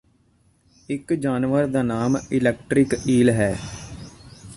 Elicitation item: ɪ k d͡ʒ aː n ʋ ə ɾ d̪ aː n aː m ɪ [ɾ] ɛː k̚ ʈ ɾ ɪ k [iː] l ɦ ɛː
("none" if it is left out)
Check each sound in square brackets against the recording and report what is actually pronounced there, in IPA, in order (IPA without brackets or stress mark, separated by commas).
l, iː